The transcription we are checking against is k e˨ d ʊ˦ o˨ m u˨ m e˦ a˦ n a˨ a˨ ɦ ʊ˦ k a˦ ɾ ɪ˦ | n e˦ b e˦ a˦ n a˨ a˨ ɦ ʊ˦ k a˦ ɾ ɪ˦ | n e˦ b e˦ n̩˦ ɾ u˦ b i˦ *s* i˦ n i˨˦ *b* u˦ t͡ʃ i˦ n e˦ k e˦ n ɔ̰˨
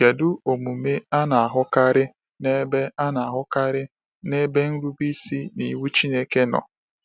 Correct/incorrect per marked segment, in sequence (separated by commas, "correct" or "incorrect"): correct, incorrect